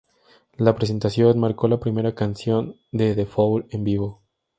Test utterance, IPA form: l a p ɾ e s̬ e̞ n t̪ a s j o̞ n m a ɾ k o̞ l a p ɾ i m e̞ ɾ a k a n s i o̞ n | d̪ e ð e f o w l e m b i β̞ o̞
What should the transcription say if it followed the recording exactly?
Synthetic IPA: l a p ɾ e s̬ e̞ n t̪ a s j o̞ n m a ɾ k o̞ l a p ɾ i m e̞ ɾ a k a n s j o̞ n | d̪ e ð e f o w l e m b i β̞ o̞